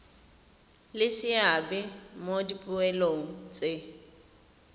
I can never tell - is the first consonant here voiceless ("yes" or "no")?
no